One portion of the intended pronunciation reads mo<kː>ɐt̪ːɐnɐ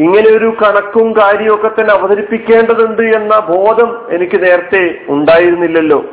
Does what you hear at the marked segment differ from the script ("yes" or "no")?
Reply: no